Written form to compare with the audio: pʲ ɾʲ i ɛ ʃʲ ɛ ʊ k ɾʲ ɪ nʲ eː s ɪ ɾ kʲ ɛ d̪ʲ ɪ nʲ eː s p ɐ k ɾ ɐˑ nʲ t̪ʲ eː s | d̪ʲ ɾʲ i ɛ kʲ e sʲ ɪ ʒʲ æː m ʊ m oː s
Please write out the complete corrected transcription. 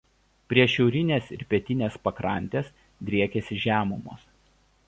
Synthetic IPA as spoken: pʲ ɾʲ i ɛ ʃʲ ɛ ʊ ɾʲ ɪ nʲ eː s ɪ ɾ pʲ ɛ t̪ʲ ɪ nʲ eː s p ɐ k ɾ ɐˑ nʲ t̪ʲ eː s | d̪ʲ ɾʲ i ɛ kʲ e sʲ ɪ ʒʲ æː m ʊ m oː s